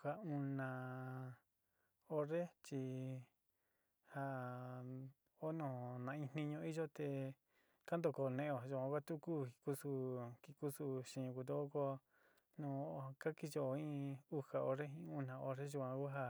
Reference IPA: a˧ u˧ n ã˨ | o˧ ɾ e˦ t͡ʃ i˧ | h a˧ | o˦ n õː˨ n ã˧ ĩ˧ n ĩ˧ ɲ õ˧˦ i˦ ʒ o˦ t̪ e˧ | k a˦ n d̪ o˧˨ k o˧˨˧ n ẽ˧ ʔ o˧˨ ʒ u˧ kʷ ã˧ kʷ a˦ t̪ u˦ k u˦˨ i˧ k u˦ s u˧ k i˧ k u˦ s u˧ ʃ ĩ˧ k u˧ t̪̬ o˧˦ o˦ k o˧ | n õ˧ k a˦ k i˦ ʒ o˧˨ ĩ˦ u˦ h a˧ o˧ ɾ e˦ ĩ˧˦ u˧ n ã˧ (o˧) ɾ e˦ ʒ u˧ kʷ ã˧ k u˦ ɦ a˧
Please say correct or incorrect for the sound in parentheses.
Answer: correct